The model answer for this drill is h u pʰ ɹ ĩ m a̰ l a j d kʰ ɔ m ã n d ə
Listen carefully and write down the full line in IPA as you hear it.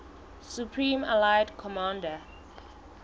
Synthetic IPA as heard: s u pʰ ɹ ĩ m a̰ l a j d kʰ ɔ m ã n d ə